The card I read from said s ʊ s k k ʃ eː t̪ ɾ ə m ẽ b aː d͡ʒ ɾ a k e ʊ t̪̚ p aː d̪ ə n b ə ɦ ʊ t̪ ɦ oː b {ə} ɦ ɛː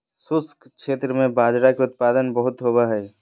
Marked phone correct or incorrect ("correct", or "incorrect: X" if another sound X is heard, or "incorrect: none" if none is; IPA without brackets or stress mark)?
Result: incorrect: a